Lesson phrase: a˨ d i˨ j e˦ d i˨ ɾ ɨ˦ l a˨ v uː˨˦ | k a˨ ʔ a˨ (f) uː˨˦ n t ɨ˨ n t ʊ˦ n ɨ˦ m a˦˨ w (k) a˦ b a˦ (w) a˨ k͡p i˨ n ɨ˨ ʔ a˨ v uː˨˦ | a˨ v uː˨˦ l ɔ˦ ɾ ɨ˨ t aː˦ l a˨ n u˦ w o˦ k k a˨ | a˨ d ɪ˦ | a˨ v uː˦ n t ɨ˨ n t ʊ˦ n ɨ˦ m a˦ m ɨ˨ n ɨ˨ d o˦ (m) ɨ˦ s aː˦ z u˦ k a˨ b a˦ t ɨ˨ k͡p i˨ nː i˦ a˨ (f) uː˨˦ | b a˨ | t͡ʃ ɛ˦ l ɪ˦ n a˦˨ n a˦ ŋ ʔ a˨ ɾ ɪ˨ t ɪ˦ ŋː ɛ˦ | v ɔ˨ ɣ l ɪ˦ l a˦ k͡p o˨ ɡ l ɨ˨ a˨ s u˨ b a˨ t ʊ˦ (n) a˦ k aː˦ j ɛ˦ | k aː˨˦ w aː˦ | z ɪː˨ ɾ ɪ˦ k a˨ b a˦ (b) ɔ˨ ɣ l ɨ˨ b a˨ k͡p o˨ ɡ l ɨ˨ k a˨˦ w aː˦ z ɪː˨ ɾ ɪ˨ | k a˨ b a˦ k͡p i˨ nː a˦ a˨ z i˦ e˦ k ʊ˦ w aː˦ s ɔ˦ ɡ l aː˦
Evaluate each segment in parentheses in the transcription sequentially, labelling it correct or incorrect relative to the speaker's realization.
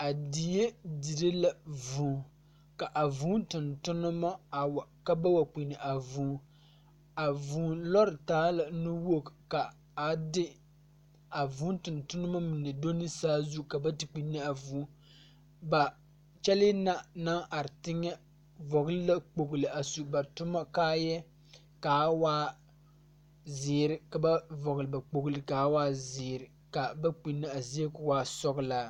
incorrect: v, correct, correct, incorrect: n, incorrect: v, incorrect: m, incorrect: v

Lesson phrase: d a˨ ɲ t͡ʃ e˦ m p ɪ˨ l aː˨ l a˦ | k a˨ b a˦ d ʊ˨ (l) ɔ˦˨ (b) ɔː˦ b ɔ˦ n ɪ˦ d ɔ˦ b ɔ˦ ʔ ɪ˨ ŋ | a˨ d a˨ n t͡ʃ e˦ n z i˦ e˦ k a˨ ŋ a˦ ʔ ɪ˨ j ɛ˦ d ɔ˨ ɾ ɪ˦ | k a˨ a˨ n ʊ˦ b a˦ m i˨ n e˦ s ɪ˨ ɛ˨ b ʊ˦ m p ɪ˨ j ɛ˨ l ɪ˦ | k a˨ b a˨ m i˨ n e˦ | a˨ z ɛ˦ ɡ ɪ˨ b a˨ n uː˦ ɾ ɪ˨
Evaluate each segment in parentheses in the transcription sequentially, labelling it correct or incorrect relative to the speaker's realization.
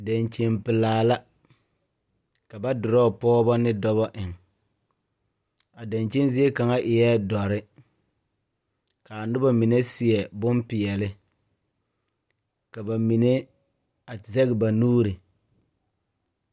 incorrect: ɾ, incorrect: p

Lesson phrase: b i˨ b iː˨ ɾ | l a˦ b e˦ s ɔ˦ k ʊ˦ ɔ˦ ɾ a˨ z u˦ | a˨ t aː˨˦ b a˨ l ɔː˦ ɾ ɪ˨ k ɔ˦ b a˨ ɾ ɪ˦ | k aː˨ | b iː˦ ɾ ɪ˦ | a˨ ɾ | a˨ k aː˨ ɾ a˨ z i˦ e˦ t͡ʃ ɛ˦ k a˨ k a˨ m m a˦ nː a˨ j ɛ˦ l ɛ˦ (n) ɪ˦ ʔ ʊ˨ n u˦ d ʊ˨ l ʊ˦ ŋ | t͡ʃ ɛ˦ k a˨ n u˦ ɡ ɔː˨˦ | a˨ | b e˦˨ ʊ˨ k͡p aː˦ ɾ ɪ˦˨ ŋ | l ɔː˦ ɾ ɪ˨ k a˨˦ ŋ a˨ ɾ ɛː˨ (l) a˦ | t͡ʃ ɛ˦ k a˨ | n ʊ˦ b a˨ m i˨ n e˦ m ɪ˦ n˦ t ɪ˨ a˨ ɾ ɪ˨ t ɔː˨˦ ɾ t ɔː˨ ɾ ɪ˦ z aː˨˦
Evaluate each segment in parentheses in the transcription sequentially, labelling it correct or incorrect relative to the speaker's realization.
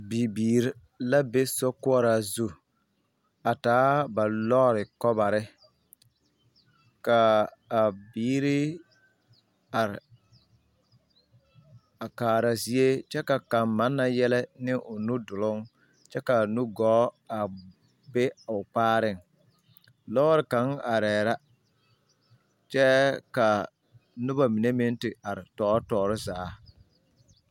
correct, incorrect: ɾ

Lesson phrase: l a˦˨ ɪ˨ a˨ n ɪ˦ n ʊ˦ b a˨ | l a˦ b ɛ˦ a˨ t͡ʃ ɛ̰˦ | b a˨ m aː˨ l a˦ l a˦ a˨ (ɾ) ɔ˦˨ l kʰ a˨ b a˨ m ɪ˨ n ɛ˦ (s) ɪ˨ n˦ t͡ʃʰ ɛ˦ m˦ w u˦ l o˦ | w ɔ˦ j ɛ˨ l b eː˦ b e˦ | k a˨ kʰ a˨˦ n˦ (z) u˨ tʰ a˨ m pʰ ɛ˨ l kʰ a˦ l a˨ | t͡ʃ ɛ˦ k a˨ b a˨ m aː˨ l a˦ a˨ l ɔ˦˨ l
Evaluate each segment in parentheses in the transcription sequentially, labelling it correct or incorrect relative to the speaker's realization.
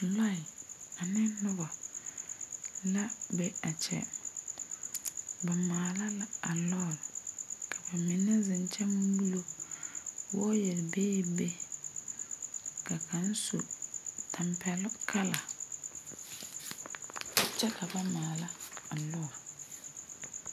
incorrect: l, incorrect: z, incorrect: s

